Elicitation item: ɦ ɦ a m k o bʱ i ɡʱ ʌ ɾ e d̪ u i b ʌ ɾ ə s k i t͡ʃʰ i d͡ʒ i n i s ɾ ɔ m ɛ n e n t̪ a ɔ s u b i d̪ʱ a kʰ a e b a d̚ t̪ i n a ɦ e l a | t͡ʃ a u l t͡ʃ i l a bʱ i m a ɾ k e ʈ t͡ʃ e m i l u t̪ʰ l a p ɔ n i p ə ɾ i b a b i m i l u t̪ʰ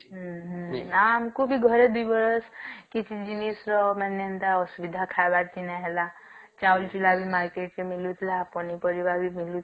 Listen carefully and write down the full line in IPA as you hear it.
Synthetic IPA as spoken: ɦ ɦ a m k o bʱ i ɡʱ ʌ ɾ e d̪ u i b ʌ ɾ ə s k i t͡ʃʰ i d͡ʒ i n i s ɾ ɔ m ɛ n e n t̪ a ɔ s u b i d̪ʱ a kʰ a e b a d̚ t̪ i n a ɦ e l a | t͡ʃ a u l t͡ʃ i l a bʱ i m a ɾ k e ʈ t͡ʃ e m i l u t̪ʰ l a p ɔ n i p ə ɾ i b a b i m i l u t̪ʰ

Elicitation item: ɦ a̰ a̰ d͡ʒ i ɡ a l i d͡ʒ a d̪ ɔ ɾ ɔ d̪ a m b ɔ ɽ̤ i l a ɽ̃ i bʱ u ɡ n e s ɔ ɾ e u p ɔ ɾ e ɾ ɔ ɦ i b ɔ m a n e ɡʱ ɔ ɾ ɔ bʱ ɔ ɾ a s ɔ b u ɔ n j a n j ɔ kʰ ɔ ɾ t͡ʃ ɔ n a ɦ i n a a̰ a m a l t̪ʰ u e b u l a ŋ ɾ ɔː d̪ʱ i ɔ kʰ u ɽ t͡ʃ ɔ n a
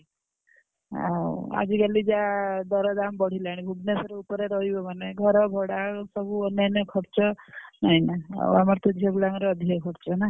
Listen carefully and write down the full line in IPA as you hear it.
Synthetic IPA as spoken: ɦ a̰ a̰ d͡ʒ i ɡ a l i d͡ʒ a d̪ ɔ ɾ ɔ d̪ a m b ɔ ɽ̤ i l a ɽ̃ i bʱ u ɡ n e s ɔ ɾ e u p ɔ ɾ e ɾ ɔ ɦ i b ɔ m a n e ɡʱ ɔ ɾ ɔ bʱ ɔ ɽ a s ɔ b u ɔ n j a n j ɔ kʰ ɔ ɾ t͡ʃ ɔ n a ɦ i n a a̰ a m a ɾ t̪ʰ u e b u l a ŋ ɾ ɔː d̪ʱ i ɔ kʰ ɔ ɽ t͡ʃ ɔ n a

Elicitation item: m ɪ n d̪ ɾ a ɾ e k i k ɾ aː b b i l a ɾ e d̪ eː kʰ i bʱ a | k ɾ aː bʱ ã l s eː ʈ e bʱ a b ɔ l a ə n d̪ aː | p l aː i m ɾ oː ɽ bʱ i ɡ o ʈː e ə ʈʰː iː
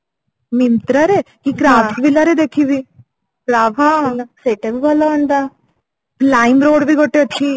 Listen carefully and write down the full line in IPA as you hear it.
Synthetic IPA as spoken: m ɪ n t̪ ɾ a ɾ e k i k ɾ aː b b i l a ɾ e d̪ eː kʰ i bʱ i | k ɾ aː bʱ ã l s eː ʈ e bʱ i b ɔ l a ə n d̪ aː | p l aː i m ɾ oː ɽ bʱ i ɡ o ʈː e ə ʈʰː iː

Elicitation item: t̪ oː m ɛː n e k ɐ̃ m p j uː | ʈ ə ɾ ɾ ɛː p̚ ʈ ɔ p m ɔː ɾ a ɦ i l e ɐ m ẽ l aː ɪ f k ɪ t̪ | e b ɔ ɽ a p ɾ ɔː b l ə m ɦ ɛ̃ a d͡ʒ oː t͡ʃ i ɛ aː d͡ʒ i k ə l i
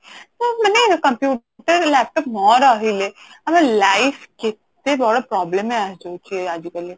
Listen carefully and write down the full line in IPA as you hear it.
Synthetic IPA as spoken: t̪ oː m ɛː n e k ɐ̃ m p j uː | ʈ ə ɾ l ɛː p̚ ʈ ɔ p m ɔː ɾ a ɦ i l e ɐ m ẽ l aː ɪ f k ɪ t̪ | e b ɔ ɽ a p ɾ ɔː b l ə m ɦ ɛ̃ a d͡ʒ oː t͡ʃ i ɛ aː d͡ʒ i k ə l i

